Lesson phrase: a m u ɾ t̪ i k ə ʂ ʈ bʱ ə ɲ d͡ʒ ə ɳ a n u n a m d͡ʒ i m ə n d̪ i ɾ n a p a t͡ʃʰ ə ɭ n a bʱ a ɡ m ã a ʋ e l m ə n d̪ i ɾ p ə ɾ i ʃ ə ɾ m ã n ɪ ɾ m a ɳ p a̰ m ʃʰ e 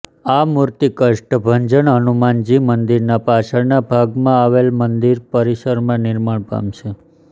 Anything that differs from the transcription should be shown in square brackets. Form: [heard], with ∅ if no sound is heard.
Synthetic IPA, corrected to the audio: a m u ɾ t̪ i k ə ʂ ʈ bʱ ə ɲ d͡ʒ ə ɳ [ə] n u [m] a [n] d͡ʒ i m ə n d̪ i ɾ n a p a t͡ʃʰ ə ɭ n a bʱ a ɡ m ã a ʋ e l m ə n d̪ i ɾ p ə ɾ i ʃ ə ɾ m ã n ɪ ɾ m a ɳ p a̰ m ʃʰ e